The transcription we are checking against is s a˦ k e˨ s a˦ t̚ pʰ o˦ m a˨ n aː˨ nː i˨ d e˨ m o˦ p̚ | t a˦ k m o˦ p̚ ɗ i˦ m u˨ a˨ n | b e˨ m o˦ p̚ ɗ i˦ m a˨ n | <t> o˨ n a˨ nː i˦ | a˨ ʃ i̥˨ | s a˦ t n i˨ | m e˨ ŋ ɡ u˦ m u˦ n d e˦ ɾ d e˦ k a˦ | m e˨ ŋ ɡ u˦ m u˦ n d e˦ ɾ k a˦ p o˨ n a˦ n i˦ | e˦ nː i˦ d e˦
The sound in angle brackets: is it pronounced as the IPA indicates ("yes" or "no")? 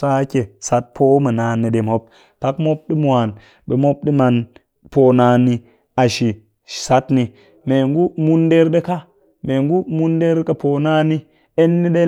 no